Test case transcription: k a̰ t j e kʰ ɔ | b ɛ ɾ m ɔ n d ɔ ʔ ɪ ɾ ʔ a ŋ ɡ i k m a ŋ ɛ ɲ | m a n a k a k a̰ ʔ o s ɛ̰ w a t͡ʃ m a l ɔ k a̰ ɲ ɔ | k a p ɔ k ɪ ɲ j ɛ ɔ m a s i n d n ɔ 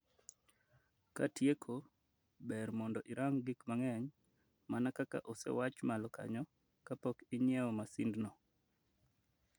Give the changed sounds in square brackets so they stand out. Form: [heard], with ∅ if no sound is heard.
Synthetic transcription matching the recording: k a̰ t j e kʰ [o] | b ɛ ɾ m ɔ n d ɔ ʔ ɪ ɾ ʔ a ŋ ɡ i k m a ŋ ɛ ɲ | m a n a k a k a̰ ʔ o s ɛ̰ w a t͡ʃ m a l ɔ k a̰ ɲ ɔ | k a p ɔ k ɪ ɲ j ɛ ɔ m a s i n d n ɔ